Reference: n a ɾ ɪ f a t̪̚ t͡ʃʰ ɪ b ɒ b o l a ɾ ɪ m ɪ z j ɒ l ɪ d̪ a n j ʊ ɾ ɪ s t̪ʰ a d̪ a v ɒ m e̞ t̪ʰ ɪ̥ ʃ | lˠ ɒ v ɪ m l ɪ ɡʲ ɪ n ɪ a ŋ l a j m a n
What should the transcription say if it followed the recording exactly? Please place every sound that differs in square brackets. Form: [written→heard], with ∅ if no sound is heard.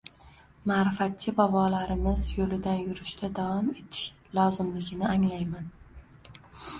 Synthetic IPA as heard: [n→m] a ɾ ɪ f a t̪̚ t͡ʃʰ ɪ b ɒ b [o→ɒ] l a ɾ ɪ m ɪ z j [ɒ→o] l ɪ d̪ a n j ʊ ɾ ɪ [s→ʃ] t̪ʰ a d̪ a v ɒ m e̞ t̪ʰ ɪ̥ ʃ | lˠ ɒ [v→z] ɪ m l ɪ ɡʲ ɪ n ɪ a ŋ l a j m a n